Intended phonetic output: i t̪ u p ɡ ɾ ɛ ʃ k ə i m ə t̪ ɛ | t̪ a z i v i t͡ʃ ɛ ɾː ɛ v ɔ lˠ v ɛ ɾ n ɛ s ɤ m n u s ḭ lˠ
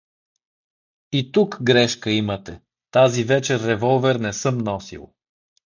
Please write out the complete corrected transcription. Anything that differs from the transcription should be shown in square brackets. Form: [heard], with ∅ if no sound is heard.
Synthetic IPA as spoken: i t̪ u [k] ɡ ɾ ɛ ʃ k ə i m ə t̪ ɛ | t̪ a z i v [ɛ] t͡ʃ ɛ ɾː ɛ v ɔ lˠ v ɛ ɾ n ɛ s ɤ m n [ɔ] s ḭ lˠ

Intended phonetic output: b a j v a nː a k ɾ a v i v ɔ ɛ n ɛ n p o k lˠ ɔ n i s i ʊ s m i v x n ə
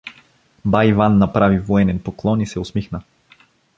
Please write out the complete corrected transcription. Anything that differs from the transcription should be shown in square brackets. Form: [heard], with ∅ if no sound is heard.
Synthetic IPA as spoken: b a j v a nː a [p] ɾ a v i v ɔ ɛ n ɛ n p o k lˠ ɔ n i s [ɛ] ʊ s m i [∅] x n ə

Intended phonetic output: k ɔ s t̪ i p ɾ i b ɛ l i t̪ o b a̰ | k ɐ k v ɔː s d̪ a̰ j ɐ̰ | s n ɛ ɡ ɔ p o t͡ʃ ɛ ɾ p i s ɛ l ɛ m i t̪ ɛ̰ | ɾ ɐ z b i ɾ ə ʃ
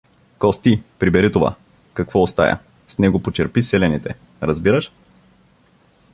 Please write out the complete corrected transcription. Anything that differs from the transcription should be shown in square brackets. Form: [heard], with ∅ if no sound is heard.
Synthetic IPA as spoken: k ɔ s t̪ i p ɾ i b ɛ [ɾ] i t̪ o [v] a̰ | k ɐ k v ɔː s [t̪] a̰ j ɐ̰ | s n ɛ ɡ [o] p o t͡ʃ ɛ ɾ p i s ɛ l ɛ [n] i t̪ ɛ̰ | ɾ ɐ z b i ɾ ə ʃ

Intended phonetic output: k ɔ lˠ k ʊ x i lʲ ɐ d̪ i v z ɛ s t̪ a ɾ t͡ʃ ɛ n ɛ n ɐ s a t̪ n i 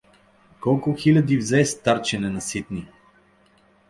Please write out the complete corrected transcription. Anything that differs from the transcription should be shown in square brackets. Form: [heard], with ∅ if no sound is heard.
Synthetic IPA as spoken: k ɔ lˠ k ʊ x i lʲ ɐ d̪ i v z ɛ s t̪ a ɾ t͡ʃ ɛ n ɛ n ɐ s [i] t̪ n i

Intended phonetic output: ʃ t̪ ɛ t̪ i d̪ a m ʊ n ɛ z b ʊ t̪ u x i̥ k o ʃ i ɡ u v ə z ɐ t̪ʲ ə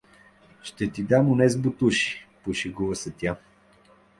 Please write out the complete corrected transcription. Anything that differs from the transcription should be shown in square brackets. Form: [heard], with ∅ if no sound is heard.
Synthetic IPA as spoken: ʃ t̪ ɛ t̪ i d̪ a m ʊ n ɛ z b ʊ t̪ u [ʃ] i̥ [p] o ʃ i ɡ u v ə [s] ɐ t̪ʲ [a]

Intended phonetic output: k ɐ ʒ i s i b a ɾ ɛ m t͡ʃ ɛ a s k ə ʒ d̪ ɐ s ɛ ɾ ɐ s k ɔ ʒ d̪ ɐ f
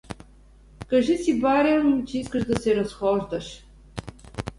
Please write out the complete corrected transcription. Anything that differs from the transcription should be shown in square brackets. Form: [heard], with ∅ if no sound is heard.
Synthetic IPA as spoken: k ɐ ʒ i s i b a ɾ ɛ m t͡ʃ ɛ [i] s k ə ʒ d̪ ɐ s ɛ ɾ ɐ s [x] ɔ ʒ d̪ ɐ [ʃ]

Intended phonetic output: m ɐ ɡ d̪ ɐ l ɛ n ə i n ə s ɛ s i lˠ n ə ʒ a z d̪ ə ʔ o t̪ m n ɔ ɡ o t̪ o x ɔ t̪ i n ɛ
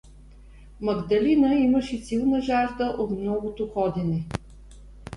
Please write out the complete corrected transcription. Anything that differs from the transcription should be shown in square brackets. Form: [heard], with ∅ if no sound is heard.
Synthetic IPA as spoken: m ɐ ɡ d̪ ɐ l [i] n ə i [m] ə [ʃ] ɛ s i lˠ n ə ʒ a [ʒ] d̪ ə ʔ o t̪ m n ɔ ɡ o t̪ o x ɔ [d̪] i n ɛ

